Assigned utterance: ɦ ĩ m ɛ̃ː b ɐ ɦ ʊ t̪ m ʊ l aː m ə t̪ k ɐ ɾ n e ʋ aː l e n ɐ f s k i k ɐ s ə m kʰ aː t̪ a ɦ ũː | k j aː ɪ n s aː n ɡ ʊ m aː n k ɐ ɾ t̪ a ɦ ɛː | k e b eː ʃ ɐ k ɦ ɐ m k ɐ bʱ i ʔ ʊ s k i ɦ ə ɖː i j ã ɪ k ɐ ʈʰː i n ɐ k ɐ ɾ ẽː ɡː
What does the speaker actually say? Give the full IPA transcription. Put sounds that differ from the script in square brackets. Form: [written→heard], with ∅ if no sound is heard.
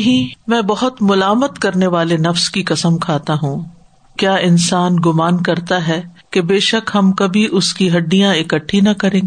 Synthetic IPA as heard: ɦ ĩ m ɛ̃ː b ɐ ɦ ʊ t̪ m ʊ l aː m ə t̪ k ɐ ɾ n e ʋ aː l e n ɐ f s k i k ɐ s ə m kʰ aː t̪ a ɦ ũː | k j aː ɪ n s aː n ɡ ʊ m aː n k ɐ ɾ t̪ a ɦ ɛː | k e b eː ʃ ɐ k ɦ ɐ m k ɐ bʱ i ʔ ʊ s k i ɦ [ə→ɐ] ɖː i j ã ɪ k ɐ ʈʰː i n ɐ k ɐ ɾ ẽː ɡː